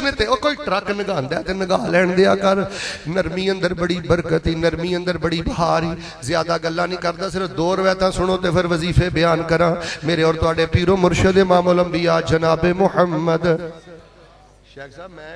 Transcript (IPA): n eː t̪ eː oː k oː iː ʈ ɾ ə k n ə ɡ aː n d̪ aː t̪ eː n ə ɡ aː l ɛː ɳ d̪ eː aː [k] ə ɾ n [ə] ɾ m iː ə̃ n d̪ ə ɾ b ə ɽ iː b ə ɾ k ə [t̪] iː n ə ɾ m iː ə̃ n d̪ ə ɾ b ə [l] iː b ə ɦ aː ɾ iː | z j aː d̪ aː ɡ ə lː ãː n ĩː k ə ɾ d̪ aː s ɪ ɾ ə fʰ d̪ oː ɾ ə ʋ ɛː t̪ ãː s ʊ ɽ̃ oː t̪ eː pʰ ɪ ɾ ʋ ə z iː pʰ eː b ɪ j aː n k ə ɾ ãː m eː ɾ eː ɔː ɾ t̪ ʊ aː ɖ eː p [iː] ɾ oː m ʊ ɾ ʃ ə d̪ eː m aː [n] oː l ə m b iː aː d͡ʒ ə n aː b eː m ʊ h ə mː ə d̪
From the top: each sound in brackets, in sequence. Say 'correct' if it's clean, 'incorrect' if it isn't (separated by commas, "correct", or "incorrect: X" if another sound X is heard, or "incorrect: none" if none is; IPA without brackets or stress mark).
correct, correct, correct, incorrect: ɽ, correct, incorrect: m